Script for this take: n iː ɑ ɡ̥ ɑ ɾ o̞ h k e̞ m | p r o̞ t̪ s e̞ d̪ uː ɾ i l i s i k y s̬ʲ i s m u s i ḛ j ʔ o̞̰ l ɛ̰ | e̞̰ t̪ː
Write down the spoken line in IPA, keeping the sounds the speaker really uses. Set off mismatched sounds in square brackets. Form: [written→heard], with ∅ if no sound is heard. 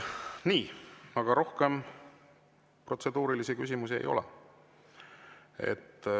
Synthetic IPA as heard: n iː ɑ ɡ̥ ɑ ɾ o̞ h k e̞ m | p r o̞ t̪ s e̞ d̪ uː ɾ i l i s i k y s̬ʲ i [s→∅] m u s i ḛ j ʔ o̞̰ l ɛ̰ | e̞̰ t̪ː